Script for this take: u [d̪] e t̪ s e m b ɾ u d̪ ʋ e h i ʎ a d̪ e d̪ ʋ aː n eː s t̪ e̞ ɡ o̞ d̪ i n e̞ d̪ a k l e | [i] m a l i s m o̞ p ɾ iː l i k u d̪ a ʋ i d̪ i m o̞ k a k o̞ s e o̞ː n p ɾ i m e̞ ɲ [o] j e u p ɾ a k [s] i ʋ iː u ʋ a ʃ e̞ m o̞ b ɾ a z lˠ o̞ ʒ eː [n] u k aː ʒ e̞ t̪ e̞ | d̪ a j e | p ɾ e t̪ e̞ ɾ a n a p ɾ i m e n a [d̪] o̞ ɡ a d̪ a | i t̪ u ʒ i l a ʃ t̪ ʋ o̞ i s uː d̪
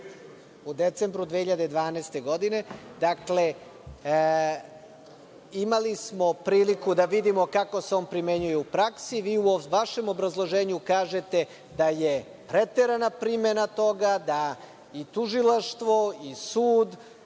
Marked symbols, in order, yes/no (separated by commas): yes, yes, no, yes, no, no